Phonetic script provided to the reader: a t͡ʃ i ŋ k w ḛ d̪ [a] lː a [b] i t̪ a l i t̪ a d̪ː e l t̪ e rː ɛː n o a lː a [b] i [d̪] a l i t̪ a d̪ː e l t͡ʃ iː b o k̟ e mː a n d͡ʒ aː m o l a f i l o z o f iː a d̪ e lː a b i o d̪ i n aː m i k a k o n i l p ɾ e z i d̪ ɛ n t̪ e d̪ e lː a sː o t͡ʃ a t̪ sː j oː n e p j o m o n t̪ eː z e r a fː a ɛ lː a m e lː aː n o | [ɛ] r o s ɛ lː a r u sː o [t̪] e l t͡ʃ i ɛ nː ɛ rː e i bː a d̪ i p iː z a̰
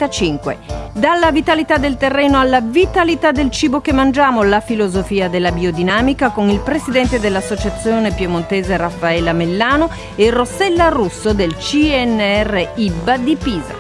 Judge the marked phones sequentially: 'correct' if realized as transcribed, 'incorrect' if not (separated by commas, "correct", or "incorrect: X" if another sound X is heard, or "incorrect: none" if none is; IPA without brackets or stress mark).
correct, incorrect: v, incorrect: v, incorrect: t̪, incorrect: e, incorrect: d̪